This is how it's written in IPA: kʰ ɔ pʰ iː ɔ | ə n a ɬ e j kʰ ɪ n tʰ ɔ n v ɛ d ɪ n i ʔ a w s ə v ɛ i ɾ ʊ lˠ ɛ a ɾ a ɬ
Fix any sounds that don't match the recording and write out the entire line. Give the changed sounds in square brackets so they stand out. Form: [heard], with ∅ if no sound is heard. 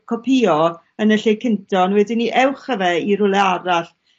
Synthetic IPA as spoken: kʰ ɔ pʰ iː ɔ | ə n [ə] ɬ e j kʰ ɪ n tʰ ɔ n [w] ɛ d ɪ n i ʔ [ɛ] w [χ] ə v ɛ i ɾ ʊ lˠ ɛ a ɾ a ɬ